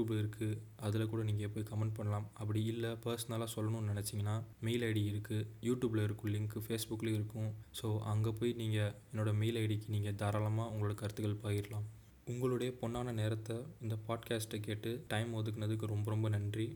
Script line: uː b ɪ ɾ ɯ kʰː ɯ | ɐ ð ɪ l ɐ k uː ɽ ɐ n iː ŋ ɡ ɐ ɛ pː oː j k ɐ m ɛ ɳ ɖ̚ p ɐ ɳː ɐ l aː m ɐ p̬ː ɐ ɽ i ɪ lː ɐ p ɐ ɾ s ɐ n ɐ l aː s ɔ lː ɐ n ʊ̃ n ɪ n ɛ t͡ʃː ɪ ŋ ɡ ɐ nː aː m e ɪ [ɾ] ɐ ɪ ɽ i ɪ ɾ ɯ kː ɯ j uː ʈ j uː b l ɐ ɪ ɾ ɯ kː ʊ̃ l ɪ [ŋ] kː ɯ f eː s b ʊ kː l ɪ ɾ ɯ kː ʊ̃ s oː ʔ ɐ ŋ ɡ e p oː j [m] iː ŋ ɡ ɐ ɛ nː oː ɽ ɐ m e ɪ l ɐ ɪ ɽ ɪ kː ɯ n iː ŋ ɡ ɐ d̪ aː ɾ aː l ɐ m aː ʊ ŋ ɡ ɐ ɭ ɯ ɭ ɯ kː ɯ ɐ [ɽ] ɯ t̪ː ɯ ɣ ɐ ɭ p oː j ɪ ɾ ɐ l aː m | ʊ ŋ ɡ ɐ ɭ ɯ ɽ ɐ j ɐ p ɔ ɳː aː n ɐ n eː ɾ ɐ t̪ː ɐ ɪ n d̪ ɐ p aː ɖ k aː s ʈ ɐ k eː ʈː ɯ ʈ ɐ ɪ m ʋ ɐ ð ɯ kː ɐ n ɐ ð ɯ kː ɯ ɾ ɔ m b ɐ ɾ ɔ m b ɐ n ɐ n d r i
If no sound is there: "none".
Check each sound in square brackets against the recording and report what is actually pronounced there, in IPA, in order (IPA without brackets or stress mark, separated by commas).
l, ŋ, n, ɾ